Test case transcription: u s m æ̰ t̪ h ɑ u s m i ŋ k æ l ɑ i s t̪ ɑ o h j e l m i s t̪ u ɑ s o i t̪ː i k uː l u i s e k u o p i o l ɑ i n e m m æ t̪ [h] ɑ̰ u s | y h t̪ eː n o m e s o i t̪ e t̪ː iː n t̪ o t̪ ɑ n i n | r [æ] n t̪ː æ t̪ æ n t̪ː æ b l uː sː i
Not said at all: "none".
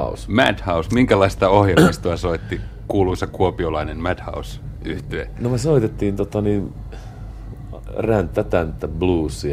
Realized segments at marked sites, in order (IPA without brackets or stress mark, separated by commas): h, æ